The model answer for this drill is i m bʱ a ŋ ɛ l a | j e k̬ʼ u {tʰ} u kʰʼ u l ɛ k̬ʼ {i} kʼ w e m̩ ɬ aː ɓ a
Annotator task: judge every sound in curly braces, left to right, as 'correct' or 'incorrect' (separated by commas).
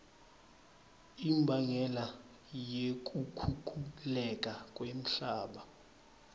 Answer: incorrect, incorrect